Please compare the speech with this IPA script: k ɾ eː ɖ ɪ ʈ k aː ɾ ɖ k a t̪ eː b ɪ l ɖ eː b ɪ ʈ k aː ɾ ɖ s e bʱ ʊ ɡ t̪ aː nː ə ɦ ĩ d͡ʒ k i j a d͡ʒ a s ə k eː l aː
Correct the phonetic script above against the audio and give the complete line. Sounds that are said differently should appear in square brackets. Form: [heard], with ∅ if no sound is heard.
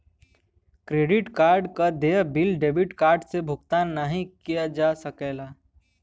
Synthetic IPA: k ɾ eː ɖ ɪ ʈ k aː ɾ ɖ k a [d̪] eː b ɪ l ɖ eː b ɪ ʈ k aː ɾ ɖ s e bʱ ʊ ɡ t̪ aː nː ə ɦ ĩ [∅] k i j a d͡ʒ a s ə k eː l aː